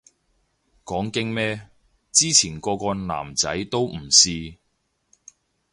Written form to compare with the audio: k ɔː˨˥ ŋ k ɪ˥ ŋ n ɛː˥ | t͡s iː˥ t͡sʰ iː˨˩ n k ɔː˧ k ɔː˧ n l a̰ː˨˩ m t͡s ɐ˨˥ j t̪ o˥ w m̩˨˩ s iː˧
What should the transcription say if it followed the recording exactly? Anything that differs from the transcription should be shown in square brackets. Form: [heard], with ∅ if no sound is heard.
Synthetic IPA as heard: k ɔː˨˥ ŋ k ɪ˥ ŋ [m] ɛː˥ | t͡s iː˥ t͡sʰ iː˨˩ n k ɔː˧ k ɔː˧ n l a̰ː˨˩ m t͡s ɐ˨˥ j t̪ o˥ w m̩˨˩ s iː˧